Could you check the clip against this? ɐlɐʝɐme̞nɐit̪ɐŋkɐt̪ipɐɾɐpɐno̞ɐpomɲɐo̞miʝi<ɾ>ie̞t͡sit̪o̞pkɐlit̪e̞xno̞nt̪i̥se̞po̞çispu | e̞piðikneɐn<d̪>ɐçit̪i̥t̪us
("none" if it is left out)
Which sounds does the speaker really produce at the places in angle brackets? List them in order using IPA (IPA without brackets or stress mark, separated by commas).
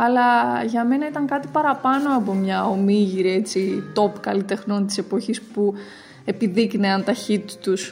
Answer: ɾ, t̪